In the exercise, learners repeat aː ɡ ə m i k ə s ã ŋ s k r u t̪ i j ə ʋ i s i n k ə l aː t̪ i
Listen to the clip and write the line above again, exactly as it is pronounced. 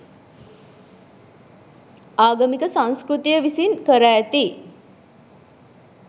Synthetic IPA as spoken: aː ɡ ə m i k ə s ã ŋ s k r u t̪ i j ə ʋ i s i n k ə ɾ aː t̪ i